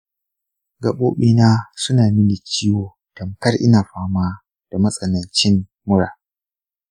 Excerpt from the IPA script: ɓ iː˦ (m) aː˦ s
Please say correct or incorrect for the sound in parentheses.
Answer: incorrect: n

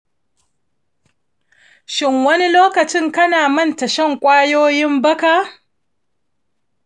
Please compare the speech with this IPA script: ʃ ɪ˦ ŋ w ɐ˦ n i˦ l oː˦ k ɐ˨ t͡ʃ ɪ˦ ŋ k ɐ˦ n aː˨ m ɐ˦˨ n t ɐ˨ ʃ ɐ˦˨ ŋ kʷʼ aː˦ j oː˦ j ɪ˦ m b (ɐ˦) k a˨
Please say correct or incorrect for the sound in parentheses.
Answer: correct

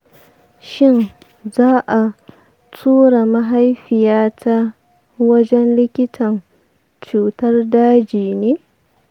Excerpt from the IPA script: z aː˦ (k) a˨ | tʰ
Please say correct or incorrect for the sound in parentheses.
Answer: incorrect: ʔ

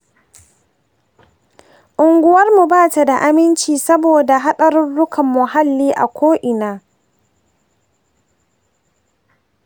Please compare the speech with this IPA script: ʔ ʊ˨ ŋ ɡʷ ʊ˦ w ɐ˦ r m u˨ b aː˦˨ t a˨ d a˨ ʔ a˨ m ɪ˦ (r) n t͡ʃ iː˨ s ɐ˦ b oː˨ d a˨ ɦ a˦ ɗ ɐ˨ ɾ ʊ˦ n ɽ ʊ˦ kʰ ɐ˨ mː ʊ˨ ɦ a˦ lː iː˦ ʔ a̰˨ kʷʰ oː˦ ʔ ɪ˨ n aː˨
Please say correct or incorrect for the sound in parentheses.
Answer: incorrect: none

